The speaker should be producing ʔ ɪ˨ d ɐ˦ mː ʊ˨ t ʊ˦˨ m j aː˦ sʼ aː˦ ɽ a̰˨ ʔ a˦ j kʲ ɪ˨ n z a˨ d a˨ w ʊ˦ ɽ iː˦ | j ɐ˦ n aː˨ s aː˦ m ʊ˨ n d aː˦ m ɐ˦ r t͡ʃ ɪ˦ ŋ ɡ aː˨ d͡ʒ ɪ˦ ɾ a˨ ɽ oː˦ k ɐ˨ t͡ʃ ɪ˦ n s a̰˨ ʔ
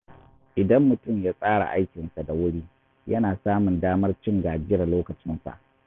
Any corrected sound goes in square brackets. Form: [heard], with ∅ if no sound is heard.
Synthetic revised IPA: ʔ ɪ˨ d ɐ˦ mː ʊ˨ t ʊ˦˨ m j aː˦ sʼ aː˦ ɽ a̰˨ ʔ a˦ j kʲ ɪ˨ n [s] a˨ d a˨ w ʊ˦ ɽ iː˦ | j ɐ˦ n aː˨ s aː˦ m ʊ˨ n d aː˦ m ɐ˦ r t͡ʃ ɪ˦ ŋ ɡ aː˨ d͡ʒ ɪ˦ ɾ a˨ [l] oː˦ k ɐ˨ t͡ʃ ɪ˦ n s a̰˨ ʔ